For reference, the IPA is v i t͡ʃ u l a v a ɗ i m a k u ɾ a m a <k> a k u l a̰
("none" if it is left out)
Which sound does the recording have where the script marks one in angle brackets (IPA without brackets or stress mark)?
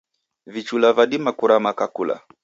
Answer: k